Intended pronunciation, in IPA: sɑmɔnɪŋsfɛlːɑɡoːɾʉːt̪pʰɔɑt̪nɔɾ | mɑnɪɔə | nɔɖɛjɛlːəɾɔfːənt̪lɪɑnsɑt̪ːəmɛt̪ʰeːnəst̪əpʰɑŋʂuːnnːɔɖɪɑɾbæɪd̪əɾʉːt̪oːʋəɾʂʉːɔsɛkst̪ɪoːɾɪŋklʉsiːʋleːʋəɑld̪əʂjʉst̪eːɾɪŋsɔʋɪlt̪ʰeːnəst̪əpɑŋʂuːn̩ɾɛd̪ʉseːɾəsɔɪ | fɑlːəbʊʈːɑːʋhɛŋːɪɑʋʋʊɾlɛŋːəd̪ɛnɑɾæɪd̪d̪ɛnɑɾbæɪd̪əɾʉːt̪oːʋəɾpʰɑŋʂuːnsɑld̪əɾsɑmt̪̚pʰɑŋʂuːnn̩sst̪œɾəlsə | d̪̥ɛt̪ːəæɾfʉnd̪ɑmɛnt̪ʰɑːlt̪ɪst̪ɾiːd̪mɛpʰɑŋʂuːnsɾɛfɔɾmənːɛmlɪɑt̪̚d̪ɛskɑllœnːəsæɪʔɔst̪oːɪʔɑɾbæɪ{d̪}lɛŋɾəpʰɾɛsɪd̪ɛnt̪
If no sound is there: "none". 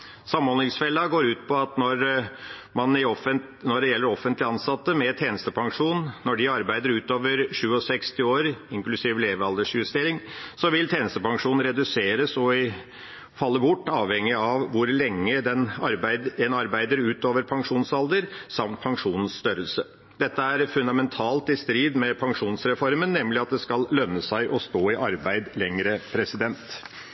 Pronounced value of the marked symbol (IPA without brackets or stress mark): d̪